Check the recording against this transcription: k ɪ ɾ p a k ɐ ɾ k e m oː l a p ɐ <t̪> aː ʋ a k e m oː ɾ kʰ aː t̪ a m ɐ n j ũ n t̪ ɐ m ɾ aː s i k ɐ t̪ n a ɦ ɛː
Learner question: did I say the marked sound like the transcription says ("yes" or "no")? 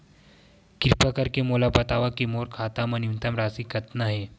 yes